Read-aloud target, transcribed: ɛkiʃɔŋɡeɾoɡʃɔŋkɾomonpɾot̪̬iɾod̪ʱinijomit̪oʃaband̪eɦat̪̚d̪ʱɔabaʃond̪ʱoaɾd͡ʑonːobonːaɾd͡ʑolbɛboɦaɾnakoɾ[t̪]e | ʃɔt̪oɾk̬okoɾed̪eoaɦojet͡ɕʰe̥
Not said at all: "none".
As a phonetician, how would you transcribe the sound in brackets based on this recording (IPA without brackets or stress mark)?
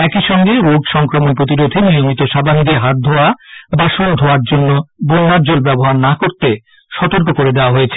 t̪